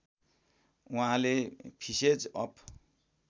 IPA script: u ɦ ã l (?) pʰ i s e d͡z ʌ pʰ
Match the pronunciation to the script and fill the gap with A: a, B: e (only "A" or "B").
B